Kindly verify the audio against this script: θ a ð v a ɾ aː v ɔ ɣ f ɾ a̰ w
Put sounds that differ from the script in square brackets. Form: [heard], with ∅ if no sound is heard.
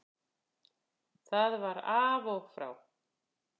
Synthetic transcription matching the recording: θ a ð v a ɾ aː v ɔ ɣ f ɾ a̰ w